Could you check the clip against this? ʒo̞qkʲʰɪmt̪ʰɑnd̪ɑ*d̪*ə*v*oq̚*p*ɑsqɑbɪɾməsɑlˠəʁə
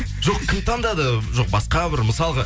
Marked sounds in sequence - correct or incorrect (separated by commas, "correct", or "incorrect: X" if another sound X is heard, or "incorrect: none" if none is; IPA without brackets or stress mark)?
correct, incorrect: ʒ, incorrect: b